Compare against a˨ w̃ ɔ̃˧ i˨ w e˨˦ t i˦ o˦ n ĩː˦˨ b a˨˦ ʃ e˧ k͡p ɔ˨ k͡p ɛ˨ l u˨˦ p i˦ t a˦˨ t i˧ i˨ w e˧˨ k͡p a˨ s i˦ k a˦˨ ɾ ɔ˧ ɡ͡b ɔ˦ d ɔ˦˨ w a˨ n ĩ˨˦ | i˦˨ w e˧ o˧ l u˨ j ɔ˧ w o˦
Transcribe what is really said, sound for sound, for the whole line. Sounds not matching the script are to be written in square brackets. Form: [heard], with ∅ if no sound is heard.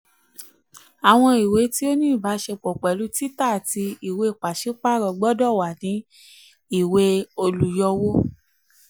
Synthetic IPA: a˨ w̃ ɔ̃˧ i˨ w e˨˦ t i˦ o˦ n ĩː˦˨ b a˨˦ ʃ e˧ k͡p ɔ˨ k͡p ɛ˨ l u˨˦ [t] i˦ t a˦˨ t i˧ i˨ w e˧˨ k͡p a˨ [ʃ] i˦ [k͡p] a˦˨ ɾ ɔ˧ ɡ͡b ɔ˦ d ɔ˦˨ w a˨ n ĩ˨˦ | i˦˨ w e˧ o˧ l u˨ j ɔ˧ w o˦